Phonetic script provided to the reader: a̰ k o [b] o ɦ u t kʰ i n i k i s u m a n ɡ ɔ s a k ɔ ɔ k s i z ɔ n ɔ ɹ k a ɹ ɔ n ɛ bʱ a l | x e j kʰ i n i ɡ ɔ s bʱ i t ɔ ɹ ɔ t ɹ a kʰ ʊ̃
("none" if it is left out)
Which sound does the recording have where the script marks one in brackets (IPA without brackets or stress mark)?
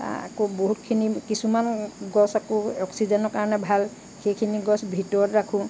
b